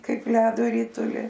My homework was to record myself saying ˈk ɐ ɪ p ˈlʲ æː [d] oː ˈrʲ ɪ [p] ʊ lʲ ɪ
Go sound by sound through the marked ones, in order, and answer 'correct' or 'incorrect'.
correct, incorrect

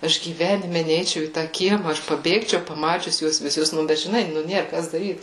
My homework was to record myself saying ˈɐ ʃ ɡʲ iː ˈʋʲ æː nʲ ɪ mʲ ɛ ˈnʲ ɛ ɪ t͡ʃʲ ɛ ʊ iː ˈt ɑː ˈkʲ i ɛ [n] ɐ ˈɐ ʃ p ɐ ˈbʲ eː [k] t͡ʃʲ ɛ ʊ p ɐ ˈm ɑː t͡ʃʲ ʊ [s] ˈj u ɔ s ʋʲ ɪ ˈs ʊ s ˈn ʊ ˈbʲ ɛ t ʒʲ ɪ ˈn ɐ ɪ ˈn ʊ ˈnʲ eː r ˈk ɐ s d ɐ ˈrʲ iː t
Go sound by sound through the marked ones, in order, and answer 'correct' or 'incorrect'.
incorrect, correct, correct

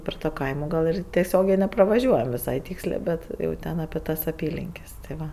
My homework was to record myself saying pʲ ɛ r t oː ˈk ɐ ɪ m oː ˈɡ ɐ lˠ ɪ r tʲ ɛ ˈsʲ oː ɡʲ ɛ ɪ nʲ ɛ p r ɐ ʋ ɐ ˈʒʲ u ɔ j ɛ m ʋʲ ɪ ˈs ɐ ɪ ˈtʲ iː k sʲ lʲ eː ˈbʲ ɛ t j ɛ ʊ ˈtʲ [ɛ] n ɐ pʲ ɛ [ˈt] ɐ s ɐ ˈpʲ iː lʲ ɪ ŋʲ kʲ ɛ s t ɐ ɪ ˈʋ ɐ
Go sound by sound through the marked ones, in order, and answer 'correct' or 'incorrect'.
correct, correct

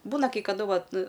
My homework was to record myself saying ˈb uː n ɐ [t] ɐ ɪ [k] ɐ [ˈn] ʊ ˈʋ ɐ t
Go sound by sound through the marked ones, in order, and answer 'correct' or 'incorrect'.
incorrect, correct, incorrect

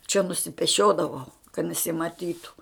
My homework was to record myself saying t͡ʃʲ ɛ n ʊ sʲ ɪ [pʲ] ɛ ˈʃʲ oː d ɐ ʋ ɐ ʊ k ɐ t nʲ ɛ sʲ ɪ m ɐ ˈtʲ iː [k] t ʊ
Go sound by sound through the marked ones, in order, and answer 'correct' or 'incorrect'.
correct, incorrect

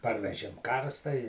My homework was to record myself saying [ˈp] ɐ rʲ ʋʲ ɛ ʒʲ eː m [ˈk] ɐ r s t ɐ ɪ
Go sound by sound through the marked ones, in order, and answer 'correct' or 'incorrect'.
correct, correct

